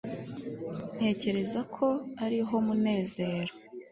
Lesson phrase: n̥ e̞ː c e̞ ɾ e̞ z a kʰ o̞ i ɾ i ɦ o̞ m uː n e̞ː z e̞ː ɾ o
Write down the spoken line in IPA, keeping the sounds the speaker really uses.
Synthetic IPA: n̥ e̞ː c e̞ ɾ e̞ z a kʰ o̞ a ɾ i ɦ o̞ m u n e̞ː z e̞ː ɾ o